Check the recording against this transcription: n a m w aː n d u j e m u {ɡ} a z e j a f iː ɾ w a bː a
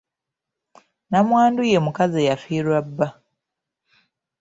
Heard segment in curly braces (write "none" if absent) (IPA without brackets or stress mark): k